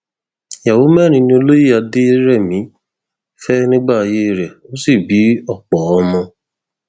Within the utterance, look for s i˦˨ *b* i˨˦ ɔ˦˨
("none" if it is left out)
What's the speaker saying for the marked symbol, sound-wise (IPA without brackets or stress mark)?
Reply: b